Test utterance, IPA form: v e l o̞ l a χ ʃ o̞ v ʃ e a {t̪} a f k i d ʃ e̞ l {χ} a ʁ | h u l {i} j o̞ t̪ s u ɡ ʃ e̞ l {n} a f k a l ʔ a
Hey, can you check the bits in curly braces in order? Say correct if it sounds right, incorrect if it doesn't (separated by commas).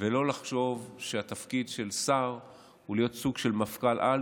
correct, incorrect, correct, incorrect